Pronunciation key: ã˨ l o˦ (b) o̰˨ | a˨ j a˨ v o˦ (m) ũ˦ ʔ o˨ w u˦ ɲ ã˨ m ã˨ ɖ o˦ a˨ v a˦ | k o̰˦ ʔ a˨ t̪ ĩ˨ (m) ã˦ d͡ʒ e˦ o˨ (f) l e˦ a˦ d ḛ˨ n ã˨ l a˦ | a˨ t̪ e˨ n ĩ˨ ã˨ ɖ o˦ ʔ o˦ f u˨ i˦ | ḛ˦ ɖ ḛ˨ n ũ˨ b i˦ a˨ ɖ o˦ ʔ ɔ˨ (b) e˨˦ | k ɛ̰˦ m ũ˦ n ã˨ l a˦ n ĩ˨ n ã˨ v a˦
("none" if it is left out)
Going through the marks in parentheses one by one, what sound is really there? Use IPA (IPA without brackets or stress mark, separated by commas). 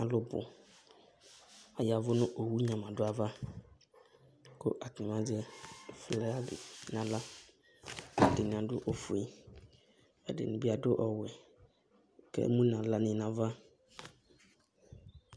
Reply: b, n, m, f, w